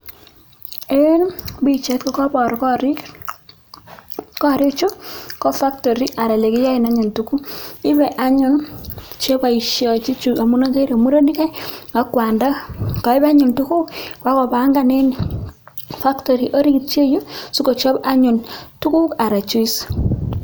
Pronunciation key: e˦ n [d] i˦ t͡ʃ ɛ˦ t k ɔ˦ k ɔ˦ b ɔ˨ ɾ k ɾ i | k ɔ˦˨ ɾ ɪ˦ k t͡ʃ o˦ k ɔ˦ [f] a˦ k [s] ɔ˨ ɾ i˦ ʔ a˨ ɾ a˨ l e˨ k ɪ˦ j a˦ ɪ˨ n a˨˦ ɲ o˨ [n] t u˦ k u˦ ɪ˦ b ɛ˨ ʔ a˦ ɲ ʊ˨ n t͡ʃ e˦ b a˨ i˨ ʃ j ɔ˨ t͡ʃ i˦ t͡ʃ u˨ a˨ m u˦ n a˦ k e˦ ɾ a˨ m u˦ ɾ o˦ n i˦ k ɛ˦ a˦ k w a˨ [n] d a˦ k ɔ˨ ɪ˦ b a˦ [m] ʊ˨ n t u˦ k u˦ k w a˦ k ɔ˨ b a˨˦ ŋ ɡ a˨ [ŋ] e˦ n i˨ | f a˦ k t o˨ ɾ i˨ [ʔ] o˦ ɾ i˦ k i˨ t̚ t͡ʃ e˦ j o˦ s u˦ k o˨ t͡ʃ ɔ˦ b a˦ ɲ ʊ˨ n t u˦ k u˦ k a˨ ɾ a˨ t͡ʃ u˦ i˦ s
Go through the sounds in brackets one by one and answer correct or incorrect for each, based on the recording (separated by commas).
incorrect, correct, incorrect, correct, correct, incorrect, incorrect, correct